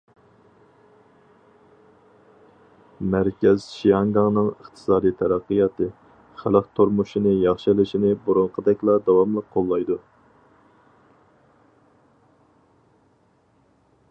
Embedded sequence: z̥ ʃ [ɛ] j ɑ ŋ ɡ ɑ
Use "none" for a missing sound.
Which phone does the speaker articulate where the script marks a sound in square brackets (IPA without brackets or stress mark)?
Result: i